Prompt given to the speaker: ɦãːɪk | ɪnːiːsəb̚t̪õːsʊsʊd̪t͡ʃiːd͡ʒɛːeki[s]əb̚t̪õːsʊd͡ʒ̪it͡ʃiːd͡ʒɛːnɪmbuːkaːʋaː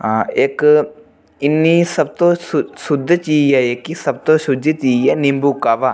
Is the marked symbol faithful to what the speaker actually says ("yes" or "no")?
yes